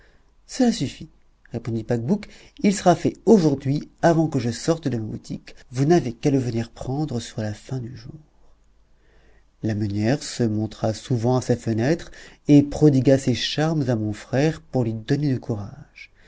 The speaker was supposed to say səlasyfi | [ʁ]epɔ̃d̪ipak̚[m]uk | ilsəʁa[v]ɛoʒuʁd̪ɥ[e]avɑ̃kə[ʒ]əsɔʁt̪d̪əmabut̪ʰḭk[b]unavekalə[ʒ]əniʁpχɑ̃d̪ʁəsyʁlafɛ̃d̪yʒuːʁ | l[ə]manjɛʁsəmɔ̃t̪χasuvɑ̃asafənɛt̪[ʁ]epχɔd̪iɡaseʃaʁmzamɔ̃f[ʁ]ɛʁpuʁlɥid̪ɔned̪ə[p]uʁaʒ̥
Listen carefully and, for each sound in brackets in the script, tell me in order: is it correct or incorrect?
correct, incorrect: b, incorrect: f, incorrect: i, correct, incorrect: v, incorrect: v, incorrect: a, incorrect: χ, incorrect: χ, incorrect: k

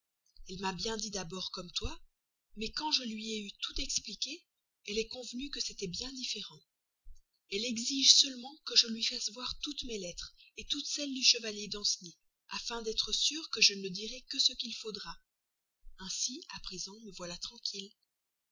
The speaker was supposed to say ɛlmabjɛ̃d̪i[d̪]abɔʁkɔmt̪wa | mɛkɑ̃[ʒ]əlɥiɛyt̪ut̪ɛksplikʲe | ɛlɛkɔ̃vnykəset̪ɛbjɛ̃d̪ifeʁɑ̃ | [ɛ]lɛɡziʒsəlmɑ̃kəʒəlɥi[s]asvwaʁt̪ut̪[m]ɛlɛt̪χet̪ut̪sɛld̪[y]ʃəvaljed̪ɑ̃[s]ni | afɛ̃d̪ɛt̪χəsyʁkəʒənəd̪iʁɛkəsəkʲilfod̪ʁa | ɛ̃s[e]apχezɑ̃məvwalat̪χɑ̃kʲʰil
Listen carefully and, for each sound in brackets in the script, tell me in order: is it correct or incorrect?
correct, correct, correct, incorrect: f, correct, correct, correct, incorrect: i

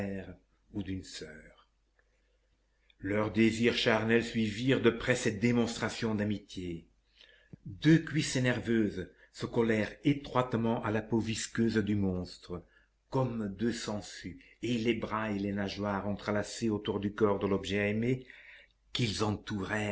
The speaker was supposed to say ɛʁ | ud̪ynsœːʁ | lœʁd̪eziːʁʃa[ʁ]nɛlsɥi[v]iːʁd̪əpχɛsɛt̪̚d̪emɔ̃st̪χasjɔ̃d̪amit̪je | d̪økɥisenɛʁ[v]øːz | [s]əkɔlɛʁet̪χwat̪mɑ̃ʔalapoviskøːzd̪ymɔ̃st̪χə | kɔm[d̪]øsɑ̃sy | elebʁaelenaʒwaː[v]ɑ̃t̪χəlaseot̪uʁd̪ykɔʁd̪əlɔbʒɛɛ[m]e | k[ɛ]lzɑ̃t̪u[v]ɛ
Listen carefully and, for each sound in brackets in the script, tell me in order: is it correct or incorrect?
correct, correct, correct, correct, correct, incorrect: ʁ, correct, incorrect: i, incorrect: ʁ

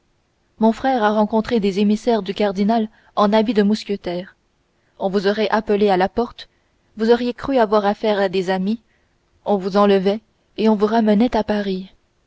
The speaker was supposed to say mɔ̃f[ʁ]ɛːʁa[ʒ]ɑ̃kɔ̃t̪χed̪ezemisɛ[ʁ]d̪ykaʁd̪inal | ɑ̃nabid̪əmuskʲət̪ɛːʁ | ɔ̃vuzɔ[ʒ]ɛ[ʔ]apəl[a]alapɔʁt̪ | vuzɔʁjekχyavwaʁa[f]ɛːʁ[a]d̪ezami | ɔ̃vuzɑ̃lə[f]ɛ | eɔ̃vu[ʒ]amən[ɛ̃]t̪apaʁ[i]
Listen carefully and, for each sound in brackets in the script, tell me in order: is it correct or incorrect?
incorrect: χ, incorrect: ʁ, correct, incorrect: ʁ, correct, incorrect: e, correct, correct, incorrect: v, incorrect: ʁ, incorrect: ɛ, correct

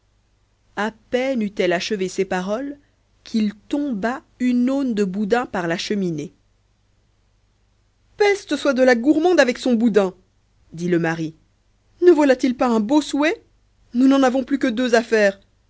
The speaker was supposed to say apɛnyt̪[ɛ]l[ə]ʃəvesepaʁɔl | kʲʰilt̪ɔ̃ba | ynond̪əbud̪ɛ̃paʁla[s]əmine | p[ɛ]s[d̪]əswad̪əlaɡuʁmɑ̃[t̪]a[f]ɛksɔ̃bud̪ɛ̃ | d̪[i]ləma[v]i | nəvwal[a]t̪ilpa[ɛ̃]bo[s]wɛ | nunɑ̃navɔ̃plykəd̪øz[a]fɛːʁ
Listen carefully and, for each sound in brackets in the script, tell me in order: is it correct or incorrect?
correct, incorrect: a, incorrect: ʃ, correct, incorrect: t̪, incorrect: d̪, incorrect: v, correct, incorrect: ʁ, correct, correct, correct, correct

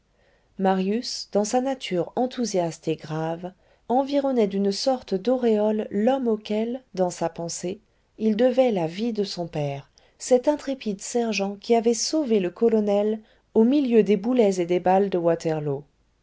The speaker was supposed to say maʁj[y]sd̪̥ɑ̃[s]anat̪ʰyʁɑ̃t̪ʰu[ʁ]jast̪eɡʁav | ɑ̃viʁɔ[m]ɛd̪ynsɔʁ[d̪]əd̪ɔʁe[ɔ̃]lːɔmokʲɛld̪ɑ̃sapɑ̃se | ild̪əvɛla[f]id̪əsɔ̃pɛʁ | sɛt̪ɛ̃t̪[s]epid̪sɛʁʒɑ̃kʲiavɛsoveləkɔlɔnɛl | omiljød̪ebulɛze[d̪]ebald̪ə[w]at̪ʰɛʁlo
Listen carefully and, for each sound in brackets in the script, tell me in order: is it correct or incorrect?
correct, correct, incorrect: z, incorrect: n, incorrect: t̪, incorrect: ɔ, incorrect: v, incorrect: χ, correct, correct

